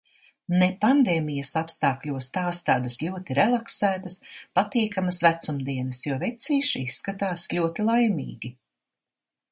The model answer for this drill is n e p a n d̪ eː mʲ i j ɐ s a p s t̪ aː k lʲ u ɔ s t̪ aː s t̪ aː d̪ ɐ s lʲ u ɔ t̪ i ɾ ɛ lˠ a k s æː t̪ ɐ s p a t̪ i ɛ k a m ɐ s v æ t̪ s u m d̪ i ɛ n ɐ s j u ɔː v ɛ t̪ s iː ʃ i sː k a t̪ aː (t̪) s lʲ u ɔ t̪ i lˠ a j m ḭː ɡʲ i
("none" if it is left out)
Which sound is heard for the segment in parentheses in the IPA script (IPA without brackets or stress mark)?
none